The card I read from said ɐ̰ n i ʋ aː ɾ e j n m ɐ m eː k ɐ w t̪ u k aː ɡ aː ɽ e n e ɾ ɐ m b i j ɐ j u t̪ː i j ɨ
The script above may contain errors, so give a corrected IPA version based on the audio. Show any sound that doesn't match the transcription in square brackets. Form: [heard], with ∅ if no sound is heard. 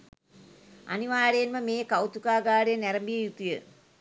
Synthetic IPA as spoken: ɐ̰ n i ʋ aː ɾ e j n m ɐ m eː k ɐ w t̪ u k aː ɡ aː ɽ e n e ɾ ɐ m b i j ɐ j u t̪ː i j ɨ